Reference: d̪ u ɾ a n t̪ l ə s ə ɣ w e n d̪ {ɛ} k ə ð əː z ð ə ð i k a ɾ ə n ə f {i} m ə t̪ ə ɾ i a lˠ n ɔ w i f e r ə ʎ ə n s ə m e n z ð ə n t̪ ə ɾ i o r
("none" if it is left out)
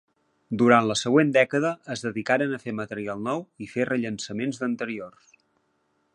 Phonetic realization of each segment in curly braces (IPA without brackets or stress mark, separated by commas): ɛ, e